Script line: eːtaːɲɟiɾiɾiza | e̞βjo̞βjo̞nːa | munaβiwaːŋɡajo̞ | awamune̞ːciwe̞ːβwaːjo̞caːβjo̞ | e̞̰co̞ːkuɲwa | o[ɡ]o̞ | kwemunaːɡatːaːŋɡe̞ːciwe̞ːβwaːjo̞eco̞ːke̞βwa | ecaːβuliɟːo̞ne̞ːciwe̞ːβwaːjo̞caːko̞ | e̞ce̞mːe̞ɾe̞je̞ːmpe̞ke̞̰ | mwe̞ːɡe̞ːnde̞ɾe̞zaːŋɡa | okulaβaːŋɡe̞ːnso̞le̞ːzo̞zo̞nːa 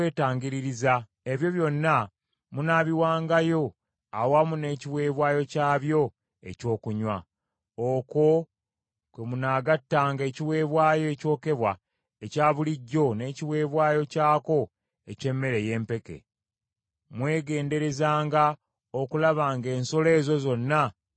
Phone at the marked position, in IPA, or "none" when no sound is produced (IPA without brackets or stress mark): k